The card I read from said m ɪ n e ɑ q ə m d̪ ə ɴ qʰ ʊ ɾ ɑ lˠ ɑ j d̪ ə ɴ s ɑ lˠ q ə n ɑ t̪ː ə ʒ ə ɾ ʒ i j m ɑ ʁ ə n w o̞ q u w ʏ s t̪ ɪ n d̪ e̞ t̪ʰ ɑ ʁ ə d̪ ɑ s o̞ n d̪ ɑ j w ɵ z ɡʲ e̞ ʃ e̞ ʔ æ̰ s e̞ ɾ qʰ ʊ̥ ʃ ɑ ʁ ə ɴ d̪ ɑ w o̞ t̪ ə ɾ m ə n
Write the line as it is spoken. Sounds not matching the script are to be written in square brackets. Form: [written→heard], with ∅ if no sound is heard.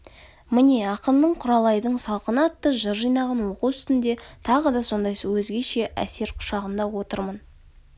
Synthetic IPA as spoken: m ɪ n e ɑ q ə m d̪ ə ɴ qʰ ʊ ɾ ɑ lˠ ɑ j d̪ ə ɴ s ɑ lˠ q ə n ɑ t̪ː ə ʒ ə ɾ ʒ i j [m→n] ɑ ʁ [ə→ɑ] n w o̞ q u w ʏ s t̪ ɪ n d̪ e̞ t̪ʰ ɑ ʁ ə d̪ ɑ s o̞ n d̪ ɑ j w ɵ z ɡʲ e̞ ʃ e̞ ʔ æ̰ s e̞ ɾ qʰ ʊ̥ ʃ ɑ ʁ ə [ɴ→n] d̪ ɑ w o̞ t̪ ə ɾ m ə n